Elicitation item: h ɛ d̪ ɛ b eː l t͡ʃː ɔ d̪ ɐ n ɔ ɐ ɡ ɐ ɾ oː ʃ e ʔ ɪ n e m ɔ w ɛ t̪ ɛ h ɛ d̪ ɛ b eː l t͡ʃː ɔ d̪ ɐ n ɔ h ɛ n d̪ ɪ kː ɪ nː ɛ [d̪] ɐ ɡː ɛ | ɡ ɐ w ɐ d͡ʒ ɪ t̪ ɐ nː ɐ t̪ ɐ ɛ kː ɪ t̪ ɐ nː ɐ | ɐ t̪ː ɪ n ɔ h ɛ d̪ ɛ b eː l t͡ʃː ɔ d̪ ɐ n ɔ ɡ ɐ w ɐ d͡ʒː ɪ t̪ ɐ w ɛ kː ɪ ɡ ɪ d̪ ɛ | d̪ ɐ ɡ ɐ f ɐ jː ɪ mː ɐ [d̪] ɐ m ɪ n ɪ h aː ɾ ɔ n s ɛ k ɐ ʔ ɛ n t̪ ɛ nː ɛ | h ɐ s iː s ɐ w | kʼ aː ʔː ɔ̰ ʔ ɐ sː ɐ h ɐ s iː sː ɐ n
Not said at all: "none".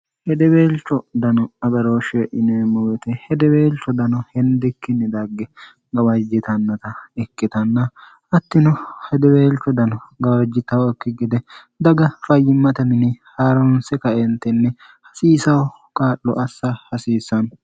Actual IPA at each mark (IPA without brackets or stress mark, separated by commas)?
d̪, t̪